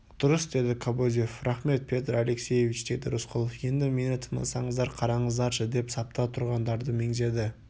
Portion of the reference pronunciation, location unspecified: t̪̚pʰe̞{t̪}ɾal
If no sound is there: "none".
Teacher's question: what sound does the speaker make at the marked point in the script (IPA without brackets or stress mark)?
t̪